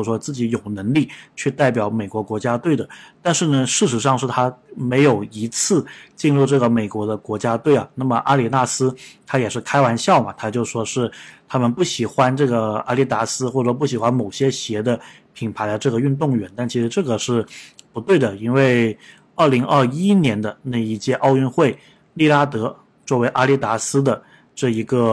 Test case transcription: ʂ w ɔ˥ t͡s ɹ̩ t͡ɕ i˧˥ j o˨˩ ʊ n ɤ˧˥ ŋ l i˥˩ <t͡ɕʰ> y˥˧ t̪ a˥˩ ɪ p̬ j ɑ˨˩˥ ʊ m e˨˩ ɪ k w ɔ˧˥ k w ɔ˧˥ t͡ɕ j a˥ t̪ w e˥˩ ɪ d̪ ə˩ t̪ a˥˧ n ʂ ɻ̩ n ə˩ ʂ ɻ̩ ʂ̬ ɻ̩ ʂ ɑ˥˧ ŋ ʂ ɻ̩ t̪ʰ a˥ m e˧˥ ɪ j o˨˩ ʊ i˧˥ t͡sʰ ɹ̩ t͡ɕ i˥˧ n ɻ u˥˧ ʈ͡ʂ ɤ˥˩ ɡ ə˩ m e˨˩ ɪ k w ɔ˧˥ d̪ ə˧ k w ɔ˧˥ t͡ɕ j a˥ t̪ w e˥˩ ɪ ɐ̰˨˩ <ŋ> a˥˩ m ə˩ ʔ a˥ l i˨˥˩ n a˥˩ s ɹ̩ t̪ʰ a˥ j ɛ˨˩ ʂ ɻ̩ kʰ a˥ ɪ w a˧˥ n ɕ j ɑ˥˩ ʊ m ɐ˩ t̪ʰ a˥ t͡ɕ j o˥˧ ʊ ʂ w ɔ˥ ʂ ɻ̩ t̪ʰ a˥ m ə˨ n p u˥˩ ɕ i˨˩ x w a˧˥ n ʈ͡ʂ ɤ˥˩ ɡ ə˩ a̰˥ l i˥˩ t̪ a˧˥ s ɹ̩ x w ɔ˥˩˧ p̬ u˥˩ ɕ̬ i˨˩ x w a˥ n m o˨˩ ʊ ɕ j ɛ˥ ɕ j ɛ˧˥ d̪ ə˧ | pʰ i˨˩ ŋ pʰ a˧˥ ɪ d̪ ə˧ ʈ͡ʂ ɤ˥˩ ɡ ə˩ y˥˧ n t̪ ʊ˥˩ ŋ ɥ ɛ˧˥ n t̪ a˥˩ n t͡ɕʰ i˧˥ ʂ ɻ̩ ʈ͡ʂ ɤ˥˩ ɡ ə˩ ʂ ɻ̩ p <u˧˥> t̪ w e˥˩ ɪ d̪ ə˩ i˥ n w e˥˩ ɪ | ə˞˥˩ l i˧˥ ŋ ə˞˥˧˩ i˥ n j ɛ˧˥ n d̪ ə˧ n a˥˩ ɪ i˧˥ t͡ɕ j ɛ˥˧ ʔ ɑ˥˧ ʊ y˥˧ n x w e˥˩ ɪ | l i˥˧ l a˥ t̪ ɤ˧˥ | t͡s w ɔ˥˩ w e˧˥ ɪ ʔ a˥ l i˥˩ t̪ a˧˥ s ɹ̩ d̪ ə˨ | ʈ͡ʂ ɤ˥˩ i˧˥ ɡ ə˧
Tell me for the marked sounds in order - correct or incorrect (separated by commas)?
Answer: correct, incorrect, correct